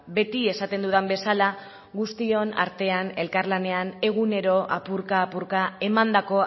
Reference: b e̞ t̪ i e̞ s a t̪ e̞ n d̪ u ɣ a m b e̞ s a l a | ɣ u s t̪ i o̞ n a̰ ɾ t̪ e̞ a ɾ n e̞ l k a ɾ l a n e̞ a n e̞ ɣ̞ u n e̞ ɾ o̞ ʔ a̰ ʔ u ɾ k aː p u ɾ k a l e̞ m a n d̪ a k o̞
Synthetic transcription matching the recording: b e̞ t̪ i e̞ s a t̪ e̞ n d̪ u ð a m b e̞ s a l a | ɣ u s t̪ i o̞ n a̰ ɾ t̪ e̞ a n e̞ l k a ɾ l a n e̞ a n e̞ ɣ̞ u n e̞ ɾ o̞ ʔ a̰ p u ɾ k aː p u ɾ k a e̞ m a n d̪ a k o̞